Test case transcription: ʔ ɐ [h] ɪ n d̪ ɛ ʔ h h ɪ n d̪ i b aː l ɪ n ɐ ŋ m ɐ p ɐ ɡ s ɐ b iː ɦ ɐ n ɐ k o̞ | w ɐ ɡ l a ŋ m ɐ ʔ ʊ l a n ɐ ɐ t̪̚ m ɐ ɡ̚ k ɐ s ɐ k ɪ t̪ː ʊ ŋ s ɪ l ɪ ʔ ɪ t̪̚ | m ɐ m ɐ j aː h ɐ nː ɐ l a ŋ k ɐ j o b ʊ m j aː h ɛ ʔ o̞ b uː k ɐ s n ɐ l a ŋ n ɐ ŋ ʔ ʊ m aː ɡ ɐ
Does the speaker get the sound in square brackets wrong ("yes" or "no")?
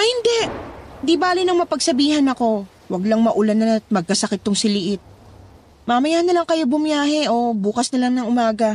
no